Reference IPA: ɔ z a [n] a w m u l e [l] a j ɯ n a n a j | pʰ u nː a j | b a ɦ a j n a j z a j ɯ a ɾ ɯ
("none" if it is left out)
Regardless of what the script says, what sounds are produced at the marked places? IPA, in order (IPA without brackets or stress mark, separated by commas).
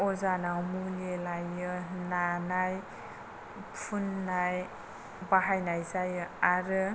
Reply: n, l